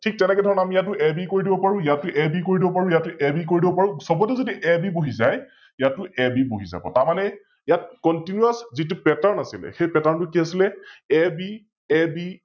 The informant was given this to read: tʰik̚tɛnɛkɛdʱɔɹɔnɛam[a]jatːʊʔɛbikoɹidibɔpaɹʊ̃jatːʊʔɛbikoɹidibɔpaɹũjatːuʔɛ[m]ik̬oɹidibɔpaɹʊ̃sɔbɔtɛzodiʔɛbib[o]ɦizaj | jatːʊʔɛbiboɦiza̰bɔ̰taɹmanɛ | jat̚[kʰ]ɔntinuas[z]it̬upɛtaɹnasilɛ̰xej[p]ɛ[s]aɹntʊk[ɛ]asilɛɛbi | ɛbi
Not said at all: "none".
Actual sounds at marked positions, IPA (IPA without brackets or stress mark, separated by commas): i, b, o, k, z, p, t, i